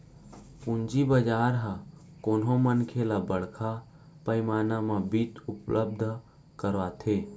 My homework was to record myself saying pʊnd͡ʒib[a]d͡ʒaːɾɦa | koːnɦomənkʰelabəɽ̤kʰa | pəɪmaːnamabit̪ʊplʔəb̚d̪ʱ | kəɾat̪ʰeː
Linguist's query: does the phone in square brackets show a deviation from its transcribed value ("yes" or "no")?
yes